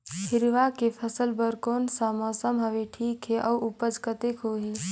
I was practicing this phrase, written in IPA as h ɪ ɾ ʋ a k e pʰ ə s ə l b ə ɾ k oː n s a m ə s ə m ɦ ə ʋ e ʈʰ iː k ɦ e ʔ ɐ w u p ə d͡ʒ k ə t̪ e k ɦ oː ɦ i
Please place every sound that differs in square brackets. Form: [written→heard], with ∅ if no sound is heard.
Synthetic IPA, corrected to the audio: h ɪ ɾ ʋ a k e pʰ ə s ə l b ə ɾ k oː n s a m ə s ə m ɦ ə ʋ e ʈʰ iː k ɦ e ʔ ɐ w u p ə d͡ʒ k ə t̪ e k ɦ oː ɦ i